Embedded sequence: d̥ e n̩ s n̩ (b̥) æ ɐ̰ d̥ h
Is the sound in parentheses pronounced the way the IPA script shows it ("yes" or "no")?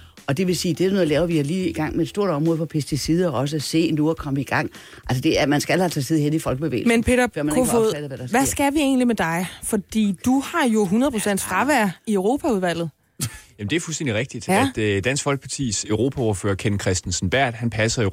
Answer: yes